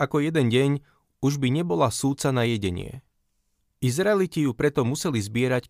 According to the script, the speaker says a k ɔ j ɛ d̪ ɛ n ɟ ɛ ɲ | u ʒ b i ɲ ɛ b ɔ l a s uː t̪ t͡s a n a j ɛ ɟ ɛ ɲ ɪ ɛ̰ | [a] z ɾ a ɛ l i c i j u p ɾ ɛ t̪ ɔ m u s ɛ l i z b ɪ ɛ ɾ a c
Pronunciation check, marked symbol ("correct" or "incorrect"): incorrect